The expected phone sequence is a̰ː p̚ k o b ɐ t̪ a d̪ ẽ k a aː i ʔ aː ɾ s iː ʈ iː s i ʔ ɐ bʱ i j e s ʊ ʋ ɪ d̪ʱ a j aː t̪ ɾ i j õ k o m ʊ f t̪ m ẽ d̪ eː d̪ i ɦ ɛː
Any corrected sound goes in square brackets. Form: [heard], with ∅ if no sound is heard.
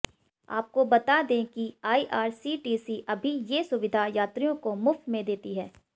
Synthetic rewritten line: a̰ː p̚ k o b ɐ t̪ a d̪ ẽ k [i] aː i ʔ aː ɾ s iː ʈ iː s i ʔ ɐ bʱ i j e s ʊ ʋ ɪ d̪ʱ a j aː t̪ ɾ i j õ k o m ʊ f t̪ m ẽ d̪ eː [t̪] i ɦ ɛː